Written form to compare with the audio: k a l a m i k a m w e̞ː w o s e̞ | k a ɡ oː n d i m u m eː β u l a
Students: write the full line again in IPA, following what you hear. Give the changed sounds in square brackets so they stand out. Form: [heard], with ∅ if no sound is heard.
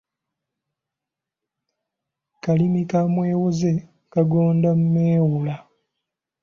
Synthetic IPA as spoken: k a l [i] m i k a m w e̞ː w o [z] e̞ | k a ɡ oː n d [a] m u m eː [w] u l a